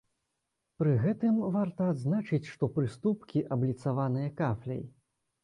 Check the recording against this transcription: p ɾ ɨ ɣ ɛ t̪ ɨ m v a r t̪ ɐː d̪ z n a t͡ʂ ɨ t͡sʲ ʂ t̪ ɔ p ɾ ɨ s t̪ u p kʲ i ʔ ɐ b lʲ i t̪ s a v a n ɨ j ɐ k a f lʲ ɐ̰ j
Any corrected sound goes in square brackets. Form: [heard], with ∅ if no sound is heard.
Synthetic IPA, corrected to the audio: p ɾ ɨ ɣ ɛ t̪ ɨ m v a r t̪ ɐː d̪ z n a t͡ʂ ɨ t͡sʲ ʂ t̪ ɔ p ɾ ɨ s t̪ u p kʲ i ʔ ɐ b lʲ i t̪ s a v a n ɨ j ɐ k a f lʲ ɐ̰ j